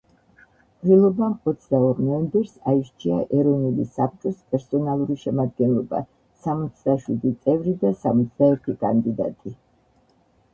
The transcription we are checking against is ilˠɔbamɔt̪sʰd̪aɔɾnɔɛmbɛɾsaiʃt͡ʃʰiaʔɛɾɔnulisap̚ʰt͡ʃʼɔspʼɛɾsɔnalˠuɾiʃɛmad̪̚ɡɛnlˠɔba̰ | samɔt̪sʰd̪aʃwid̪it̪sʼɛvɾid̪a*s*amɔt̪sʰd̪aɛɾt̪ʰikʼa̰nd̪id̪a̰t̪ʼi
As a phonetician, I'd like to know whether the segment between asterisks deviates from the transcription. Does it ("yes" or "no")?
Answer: no